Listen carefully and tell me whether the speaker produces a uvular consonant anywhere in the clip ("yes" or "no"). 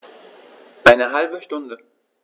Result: no